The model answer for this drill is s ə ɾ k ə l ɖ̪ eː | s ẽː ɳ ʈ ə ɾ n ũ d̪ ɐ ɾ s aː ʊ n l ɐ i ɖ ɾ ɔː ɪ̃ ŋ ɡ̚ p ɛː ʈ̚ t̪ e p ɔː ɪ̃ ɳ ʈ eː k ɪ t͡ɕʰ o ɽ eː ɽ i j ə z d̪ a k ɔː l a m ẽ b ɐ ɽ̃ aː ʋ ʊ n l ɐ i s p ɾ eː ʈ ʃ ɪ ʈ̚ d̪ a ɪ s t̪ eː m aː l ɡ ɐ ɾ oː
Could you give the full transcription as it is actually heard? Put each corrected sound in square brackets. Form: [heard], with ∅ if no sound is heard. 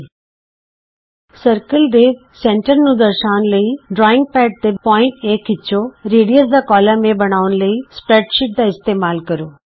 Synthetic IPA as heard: s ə ɾ k ə l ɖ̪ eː | s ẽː ɳ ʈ ə ɾ n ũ d̪ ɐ ɾ [ʃ] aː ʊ n l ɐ i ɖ ɾ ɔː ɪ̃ ŋ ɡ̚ p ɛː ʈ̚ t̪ e p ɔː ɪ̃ ɳ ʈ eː k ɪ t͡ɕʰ o [ɾ] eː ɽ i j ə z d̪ a k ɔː l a m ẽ b ɐ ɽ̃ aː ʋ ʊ n l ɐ i s p ɾ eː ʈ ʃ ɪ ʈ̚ d̪ a ɪ s t̪ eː m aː l [k] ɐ ɾ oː